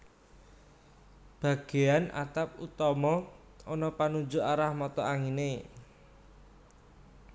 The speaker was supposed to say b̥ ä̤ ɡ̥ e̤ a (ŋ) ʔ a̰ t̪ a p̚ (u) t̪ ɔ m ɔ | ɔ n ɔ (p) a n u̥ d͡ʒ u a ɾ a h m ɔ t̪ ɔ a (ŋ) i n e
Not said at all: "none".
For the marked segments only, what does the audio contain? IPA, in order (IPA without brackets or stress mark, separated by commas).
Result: n, u, p, ŋ